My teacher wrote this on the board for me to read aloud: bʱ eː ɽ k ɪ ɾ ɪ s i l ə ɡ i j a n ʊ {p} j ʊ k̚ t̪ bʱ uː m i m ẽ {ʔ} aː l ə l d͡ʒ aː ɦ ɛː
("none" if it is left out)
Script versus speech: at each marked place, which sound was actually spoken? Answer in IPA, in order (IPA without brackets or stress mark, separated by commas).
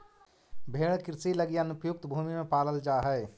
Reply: p, p